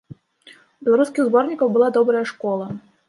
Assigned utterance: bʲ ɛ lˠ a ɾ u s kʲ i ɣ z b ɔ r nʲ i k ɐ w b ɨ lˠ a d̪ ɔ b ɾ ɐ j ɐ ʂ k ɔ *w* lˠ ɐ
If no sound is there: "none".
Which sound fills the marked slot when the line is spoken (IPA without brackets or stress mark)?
none